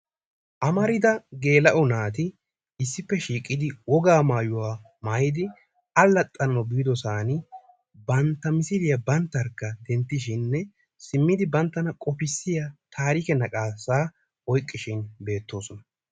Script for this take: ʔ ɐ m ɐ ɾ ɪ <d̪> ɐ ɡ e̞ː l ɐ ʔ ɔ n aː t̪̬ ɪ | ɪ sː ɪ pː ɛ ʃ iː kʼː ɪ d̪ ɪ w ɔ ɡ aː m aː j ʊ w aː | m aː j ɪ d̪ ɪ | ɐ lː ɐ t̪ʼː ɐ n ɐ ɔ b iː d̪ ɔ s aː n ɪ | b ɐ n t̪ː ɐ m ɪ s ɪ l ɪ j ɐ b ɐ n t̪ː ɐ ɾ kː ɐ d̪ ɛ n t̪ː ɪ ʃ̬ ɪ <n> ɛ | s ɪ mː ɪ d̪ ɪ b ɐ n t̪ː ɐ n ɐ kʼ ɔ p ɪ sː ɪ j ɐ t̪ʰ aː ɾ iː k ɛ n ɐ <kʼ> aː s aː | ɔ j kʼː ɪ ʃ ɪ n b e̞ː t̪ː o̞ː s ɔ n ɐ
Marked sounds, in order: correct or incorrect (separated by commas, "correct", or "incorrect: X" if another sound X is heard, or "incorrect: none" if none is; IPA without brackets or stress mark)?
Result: correct, incorrect: nː, correct